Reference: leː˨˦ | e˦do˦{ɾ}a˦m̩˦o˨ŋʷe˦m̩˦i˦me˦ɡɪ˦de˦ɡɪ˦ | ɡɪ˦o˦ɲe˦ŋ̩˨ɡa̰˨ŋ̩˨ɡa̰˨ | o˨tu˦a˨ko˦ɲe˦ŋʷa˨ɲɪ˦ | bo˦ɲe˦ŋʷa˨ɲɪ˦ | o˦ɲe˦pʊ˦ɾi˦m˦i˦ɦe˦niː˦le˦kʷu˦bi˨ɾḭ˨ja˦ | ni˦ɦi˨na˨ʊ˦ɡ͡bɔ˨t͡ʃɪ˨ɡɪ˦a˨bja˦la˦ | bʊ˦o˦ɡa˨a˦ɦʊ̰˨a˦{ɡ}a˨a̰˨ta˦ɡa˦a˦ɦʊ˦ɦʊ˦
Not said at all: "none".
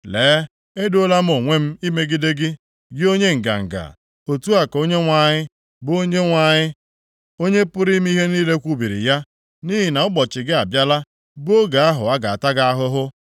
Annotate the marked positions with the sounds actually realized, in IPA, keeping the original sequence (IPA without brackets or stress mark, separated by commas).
l, ɡ